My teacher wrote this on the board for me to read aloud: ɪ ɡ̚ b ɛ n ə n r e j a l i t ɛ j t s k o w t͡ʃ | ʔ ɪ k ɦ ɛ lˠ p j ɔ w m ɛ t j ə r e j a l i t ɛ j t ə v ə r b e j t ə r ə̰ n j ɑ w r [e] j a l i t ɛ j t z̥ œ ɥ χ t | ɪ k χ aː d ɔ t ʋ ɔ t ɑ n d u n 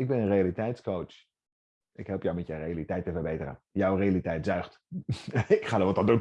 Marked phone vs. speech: correct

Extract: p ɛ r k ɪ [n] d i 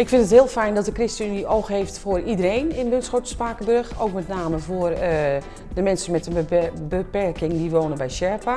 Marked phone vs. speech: incorrect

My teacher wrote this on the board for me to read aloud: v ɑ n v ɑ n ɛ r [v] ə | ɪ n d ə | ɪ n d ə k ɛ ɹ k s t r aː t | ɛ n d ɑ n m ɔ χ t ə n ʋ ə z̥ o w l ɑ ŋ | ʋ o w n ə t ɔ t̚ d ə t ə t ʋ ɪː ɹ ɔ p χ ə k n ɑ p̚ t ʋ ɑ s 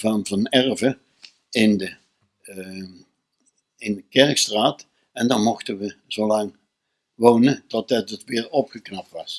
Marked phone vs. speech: correct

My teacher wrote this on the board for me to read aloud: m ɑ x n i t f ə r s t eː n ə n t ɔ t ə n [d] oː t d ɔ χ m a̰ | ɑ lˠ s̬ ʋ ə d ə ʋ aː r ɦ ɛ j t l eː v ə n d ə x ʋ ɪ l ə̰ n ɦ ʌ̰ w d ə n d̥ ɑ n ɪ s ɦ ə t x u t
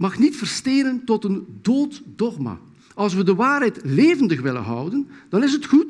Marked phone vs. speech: correct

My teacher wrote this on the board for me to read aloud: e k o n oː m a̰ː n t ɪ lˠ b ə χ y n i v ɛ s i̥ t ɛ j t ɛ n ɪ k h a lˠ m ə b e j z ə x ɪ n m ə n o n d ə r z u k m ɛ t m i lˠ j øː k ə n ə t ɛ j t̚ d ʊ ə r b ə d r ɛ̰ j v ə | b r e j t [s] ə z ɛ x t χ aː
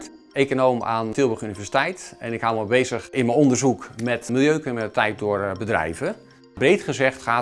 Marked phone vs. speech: incorrect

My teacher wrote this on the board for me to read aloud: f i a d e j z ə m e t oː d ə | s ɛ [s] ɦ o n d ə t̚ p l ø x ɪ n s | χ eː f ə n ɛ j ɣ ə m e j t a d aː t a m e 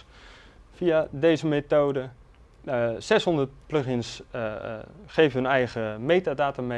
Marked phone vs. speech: correct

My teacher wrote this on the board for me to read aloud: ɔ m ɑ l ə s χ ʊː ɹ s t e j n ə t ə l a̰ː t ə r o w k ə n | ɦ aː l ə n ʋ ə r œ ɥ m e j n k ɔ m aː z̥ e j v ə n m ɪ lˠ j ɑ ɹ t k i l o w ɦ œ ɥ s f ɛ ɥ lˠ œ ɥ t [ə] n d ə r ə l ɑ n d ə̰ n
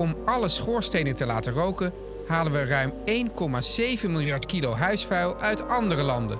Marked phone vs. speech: incorrect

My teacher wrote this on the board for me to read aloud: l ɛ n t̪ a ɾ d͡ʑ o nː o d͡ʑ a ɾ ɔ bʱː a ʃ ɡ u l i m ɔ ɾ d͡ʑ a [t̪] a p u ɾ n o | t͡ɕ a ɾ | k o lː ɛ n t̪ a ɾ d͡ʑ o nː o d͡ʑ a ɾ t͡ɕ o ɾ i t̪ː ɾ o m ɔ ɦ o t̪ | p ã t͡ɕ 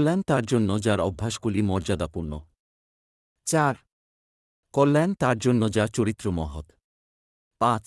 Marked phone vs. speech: incorrect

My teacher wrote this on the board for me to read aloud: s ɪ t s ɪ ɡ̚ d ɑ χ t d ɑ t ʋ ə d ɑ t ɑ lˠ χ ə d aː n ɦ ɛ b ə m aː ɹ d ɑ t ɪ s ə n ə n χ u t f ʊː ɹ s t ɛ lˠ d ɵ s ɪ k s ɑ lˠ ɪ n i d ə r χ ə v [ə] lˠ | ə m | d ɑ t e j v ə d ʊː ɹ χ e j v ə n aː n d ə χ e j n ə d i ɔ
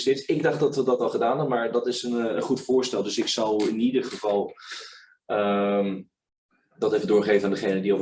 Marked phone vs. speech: incorrect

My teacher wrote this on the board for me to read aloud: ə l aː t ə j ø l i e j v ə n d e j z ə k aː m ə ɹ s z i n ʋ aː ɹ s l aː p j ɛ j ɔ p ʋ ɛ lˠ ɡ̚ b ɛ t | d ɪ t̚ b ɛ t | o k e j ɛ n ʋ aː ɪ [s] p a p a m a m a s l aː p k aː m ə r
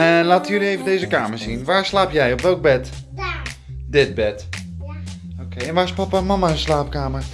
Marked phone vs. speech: correct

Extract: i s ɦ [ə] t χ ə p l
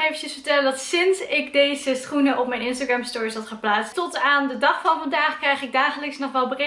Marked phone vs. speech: incorrect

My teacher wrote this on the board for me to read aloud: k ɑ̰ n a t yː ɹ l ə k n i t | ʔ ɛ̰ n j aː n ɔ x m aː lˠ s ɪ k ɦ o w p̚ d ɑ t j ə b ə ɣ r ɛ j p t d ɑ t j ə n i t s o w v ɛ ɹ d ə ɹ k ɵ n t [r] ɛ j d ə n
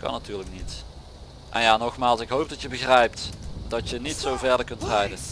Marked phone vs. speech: correct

